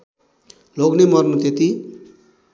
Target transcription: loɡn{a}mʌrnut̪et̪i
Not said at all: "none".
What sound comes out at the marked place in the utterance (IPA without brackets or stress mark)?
e